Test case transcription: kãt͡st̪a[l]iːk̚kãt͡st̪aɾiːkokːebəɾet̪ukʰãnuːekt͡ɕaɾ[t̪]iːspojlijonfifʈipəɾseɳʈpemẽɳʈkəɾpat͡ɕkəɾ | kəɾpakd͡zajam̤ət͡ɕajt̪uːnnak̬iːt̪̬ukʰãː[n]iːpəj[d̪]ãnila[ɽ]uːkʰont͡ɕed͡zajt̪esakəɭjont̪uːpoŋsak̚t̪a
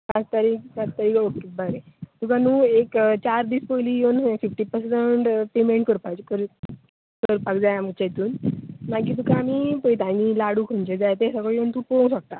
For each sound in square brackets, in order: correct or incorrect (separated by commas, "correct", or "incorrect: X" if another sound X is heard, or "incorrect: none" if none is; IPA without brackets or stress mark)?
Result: incorrect: ɾ, incorrect: d̪, incorrect: m, incorrect: t̪, correct